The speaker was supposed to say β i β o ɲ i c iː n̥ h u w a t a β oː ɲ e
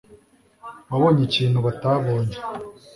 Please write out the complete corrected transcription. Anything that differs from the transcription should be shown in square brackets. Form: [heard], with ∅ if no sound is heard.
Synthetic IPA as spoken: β [a] β o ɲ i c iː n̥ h u [β] a t a β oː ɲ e